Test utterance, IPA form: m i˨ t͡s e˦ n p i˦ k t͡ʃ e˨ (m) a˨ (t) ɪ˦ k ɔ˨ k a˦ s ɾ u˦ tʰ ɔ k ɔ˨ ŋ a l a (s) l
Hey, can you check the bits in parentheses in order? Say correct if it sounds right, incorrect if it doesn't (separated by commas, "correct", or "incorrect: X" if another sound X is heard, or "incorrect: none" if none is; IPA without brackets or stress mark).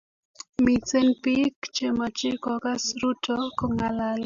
correct, incorrect: t͡ʃ, incorrect: none